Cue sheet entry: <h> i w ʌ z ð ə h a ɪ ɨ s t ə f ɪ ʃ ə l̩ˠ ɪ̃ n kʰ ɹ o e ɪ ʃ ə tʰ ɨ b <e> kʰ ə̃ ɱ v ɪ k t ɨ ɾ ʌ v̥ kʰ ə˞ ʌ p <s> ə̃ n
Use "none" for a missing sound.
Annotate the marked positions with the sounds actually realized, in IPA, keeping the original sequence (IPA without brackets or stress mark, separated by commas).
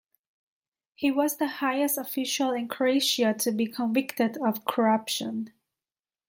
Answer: h, i, ʃ